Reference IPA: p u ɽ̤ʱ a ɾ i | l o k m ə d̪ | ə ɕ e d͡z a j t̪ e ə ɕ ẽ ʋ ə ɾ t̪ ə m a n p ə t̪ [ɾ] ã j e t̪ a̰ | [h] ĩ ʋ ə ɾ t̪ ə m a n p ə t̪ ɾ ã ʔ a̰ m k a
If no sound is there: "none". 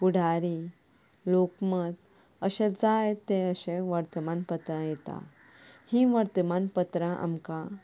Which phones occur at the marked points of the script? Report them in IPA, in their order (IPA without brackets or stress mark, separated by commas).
ɾ, h